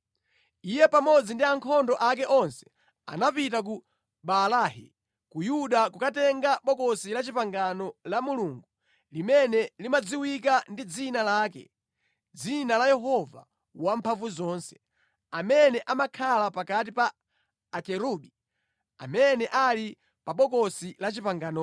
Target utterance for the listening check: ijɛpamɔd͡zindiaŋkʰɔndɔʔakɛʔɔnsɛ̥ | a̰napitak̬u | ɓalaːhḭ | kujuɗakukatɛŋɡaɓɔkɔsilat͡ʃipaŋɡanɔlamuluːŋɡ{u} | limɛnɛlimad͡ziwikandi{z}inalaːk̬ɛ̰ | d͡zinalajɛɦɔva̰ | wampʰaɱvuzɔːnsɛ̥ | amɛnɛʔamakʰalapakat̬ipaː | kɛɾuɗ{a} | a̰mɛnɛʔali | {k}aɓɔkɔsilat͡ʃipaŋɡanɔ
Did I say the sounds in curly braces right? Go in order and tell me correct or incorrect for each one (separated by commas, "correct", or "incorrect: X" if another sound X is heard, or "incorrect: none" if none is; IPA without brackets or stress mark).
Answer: correct, incorrect: d͡z, incorrect: i, incorrect: p